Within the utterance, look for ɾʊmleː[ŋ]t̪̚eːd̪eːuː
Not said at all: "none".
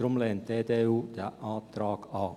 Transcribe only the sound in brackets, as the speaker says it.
n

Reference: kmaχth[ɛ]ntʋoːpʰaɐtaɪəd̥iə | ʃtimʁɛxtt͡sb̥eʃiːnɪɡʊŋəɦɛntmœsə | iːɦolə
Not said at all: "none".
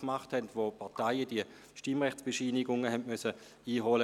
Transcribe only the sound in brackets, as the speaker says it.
ɛ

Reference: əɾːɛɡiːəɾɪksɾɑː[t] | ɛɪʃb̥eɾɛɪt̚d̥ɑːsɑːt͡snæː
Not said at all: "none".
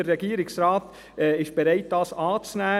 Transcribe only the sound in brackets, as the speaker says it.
t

